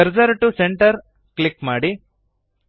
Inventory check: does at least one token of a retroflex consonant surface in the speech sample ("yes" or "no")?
yes